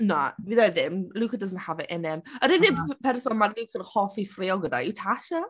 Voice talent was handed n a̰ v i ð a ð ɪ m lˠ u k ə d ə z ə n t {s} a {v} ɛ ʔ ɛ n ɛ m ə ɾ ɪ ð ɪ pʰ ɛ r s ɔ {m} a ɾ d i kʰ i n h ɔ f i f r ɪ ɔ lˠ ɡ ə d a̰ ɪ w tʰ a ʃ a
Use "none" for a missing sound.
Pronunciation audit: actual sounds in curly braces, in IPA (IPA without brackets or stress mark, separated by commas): h, v, m